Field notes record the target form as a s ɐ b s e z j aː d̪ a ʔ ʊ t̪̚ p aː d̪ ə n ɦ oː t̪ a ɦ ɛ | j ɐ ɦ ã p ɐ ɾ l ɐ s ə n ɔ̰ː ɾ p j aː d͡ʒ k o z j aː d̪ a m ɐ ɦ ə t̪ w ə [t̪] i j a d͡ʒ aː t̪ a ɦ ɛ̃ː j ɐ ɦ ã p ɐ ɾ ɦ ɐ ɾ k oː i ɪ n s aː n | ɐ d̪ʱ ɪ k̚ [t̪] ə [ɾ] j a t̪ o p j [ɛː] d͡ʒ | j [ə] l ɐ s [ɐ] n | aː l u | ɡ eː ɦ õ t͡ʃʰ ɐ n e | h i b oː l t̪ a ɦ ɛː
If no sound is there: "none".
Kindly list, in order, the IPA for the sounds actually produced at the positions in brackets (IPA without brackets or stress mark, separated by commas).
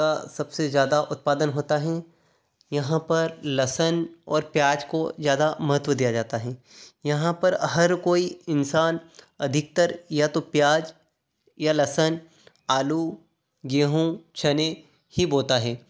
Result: d̪, t̪, ɾ, aː, a, ə